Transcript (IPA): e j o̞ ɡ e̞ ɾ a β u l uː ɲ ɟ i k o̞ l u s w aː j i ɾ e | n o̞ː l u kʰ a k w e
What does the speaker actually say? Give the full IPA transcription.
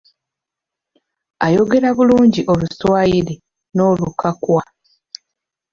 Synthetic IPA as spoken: a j o̞ ɡ e̞ ɾ a β u l uː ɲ ɟ i ʔ o̞ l u s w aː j i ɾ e | n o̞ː l u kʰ a k w a